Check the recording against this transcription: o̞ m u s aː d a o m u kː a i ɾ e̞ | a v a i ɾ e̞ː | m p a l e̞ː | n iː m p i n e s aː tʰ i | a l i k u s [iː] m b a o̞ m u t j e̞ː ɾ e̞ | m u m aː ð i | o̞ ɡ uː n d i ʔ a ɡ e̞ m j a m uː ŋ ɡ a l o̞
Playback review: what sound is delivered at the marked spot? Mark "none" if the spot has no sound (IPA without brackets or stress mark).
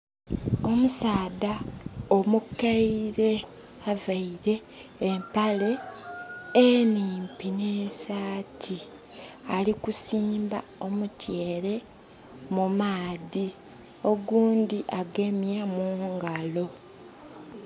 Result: iː